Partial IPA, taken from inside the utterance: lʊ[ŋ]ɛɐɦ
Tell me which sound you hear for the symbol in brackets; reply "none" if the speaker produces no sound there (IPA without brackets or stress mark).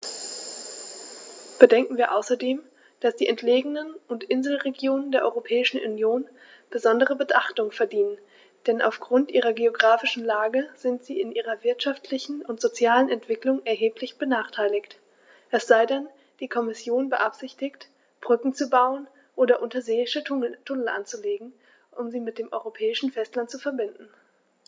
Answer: ŋ